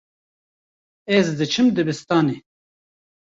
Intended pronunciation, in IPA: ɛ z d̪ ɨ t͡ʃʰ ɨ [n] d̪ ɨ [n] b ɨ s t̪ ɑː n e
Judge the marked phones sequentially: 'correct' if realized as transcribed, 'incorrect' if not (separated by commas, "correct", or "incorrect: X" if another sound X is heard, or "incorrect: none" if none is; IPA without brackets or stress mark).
incorrect: m, incorrect: none